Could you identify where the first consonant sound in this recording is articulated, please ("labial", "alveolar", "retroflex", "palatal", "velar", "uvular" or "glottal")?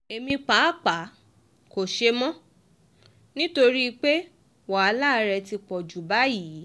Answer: labial